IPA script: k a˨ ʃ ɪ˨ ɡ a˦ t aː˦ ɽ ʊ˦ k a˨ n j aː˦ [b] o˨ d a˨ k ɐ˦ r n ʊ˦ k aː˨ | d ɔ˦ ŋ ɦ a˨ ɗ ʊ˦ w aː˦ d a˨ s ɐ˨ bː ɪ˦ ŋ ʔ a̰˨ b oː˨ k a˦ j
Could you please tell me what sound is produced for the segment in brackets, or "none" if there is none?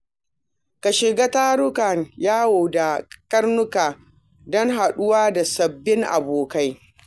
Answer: w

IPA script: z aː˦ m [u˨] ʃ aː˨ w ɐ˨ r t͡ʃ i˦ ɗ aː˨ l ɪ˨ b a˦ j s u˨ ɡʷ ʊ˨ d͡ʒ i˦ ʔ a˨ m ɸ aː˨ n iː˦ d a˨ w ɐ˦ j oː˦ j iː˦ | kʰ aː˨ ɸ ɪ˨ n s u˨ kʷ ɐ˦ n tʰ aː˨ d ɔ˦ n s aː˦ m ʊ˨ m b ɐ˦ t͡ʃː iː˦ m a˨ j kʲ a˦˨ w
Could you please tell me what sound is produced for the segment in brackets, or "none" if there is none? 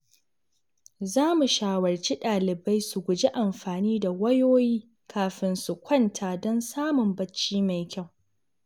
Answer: u˨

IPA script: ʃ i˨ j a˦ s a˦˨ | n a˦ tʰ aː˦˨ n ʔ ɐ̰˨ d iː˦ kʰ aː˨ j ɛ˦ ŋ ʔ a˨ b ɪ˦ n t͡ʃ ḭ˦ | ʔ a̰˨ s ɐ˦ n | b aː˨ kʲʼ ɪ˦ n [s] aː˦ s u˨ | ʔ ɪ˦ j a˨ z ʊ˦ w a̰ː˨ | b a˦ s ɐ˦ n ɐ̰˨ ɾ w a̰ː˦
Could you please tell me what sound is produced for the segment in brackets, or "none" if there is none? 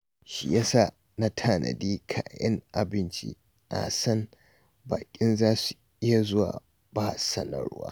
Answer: z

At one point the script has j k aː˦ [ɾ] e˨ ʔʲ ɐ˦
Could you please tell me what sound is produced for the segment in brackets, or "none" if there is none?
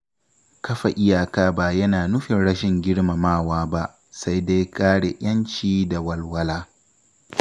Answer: ɽ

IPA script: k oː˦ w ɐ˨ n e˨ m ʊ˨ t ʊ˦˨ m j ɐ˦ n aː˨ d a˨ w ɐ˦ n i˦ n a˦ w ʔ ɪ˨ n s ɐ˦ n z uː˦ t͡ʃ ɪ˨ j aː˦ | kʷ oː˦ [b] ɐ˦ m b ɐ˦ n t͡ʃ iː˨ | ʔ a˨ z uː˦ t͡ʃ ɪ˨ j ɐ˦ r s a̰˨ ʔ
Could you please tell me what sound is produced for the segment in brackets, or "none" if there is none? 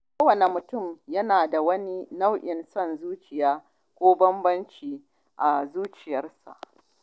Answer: b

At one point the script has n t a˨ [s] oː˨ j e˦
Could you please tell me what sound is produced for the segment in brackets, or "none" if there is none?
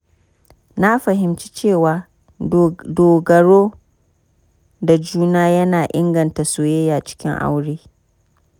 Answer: s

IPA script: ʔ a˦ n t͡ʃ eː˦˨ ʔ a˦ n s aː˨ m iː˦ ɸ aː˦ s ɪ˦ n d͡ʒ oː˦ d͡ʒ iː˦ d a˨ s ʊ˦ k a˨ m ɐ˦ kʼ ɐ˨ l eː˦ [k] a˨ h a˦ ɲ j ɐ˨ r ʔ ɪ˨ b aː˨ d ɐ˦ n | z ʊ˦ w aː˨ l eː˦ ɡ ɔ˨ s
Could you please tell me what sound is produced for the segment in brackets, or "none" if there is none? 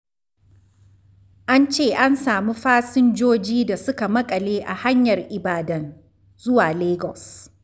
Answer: ʔ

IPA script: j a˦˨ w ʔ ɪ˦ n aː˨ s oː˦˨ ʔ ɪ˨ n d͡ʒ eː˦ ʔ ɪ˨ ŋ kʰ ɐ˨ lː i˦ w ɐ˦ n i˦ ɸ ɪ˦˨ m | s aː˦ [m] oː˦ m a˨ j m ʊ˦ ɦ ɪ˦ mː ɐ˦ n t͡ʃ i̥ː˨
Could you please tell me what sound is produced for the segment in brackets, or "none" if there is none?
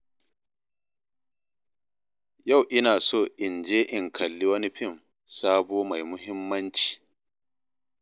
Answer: b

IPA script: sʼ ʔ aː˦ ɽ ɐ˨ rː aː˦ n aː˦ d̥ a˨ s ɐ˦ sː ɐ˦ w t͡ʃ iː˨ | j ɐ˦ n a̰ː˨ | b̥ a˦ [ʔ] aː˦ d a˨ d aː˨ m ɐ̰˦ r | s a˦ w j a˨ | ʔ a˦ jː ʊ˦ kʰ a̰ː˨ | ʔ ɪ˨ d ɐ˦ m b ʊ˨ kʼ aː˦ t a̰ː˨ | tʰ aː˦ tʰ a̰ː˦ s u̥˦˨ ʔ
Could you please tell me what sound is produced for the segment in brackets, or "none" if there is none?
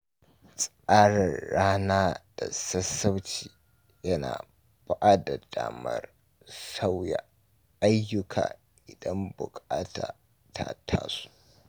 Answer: ʔ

